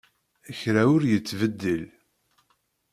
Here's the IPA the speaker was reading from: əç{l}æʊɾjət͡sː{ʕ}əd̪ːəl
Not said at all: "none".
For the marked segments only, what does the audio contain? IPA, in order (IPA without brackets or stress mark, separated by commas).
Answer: ɾ, v